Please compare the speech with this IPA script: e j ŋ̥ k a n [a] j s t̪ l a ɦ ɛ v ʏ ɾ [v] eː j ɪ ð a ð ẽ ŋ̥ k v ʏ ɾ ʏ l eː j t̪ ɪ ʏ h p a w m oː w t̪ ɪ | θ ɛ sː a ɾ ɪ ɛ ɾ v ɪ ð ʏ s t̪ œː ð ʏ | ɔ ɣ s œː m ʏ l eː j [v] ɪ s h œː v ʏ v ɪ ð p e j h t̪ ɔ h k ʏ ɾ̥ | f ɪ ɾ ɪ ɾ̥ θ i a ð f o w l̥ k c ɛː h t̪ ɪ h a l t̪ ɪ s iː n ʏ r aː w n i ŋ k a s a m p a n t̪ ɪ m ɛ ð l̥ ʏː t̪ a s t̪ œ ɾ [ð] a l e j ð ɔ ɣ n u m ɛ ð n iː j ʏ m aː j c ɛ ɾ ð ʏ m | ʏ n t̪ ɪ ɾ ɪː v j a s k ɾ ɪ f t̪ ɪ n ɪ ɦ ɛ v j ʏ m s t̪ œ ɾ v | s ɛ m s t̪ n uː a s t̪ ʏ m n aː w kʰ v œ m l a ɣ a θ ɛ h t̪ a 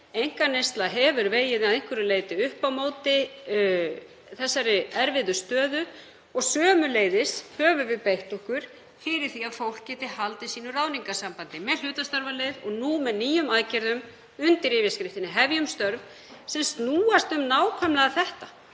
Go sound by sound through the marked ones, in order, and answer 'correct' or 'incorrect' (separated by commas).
incorrect, correct, incorrect, incorrect